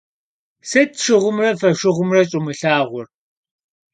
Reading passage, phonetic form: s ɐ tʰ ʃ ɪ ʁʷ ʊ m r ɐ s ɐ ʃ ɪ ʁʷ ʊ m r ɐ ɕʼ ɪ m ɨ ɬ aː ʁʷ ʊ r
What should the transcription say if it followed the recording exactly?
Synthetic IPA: s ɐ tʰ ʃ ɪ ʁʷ ʊ m r ɐ f ɐ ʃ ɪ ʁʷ ʊ m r ɐ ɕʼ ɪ m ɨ ɬ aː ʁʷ ʊ r